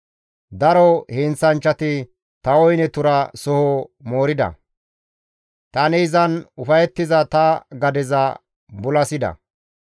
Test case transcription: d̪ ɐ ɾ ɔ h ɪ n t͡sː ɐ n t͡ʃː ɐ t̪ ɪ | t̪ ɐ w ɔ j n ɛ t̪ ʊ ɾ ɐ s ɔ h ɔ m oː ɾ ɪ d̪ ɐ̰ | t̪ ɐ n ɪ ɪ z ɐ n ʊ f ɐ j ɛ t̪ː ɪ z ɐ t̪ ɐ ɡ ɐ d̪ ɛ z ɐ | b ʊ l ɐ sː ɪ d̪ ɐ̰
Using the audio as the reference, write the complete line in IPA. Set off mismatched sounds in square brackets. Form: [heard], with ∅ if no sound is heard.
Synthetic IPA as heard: d̪ ɐ ɾ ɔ h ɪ n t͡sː ɐ n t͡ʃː ɐ t̪ ɪ | t̪ ɐ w ɔ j n ɛ t̪ ʊ ɾ ɐ s ɔ h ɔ m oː ɾ ɪ d̪ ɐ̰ | t̪ ɐ n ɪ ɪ z ɐ n ʊ f ɐ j ɛ t̪ː ɪ z ɐ t̪ ɐ ɡ ɐ d̪ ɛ z ɐ | b ʊ l ɐ [s] ɪ d̪ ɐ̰